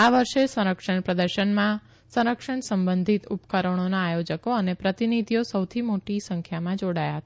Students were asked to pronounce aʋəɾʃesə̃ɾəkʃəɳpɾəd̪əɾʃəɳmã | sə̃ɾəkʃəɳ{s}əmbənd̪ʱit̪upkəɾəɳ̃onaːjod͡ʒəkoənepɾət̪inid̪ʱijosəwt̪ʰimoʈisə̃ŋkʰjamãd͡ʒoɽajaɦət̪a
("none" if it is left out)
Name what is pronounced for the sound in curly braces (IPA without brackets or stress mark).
s